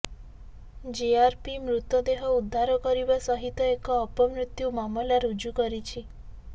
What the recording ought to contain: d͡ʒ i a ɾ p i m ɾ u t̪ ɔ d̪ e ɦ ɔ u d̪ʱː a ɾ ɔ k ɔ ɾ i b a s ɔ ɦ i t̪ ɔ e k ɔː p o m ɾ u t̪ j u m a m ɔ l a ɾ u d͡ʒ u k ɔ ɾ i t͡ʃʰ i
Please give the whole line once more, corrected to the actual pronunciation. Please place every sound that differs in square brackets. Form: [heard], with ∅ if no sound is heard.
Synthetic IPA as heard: d͡ʒ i a ɾ p i m ɾ u t̪ ɔ d̪ e ɦ ɔ u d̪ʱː a ɾ ɔ k ɔ ɾ i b a s ɔ ɦ i t̪ ɔ e k ɔː p [ɔ] m ɾ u t̪ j u m a m ɔ l a ɾ u d͡ʒ u k ɔ ɾ i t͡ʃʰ i